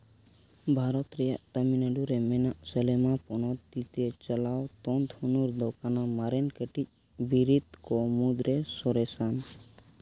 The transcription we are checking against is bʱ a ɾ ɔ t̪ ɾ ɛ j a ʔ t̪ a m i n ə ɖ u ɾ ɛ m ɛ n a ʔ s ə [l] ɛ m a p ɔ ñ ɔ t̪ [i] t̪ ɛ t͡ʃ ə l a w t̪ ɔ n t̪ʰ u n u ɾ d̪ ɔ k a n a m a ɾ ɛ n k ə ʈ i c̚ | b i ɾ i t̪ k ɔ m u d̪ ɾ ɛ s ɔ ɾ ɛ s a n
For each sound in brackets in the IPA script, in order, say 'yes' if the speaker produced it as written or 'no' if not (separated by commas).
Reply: yes, yes